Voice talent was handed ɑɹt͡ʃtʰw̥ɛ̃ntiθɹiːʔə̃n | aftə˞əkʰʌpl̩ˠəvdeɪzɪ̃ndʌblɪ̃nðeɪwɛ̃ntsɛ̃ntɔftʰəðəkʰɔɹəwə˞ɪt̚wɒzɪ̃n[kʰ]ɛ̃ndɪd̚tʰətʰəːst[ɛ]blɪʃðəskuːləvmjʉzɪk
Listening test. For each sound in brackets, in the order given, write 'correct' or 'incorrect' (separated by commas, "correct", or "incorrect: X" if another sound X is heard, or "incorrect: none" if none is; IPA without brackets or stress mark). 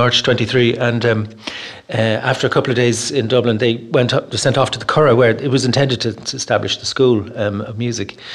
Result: incorrect: tʰ, incorrect: a